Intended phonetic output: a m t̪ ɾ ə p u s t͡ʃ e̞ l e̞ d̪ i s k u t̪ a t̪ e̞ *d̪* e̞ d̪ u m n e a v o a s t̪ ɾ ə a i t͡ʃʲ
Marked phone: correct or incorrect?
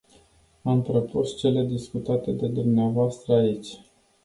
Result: correct